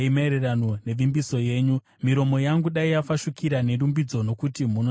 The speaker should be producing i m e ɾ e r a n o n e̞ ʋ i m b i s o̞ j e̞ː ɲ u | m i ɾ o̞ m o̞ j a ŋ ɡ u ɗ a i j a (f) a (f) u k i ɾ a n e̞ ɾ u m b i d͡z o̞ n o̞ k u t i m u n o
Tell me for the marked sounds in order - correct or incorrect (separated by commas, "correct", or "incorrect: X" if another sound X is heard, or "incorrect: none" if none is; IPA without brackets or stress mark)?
correct, incorrect: ʃ